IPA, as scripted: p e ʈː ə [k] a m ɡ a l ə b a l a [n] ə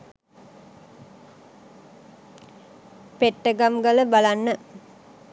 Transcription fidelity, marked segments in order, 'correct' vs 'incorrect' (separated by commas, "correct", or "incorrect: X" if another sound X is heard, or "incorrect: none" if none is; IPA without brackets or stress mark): incorrect: ɡ, incorrect: nː